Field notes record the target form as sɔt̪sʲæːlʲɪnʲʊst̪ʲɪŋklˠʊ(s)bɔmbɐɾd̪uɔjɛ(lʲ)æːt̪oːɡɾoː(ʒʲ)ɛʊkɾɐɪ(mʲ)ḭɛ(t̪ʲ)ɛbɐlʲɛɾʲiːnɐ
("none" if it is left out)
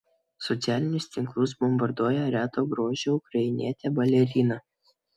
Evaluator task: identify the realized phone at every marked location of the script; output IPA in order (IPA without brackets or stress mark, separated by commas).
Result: s, ɾʲ, ʒʲ, nʲ, t̪ʲ